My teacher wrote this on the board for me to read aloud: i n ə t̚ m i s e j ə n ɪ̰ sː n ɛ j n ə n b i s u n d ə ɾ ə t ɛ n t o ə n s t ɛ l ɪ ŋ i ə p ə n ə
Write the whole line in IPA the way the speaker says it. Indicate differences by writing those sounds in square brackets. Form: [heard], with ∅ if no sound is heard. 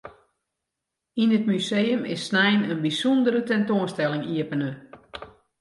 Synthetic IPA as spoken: i n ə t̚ m [y] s e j ə [m] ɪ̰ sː n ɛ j n ə n b i s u n d ə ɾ ə t ɛ n t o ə n s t ɛ l ɪ ŋ i ə p ə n ə